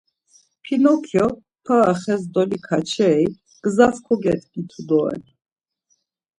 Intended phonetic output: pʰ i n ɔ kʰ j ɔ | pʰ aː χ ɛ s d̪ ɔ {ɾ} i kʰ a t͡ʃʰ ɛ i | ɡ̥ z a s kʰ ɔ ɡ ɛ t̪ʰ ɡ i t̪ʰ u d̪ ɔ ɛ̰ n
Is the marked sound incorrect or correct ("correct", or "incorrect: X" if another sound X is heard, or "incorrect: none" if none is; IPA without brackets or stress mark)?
incorrect: l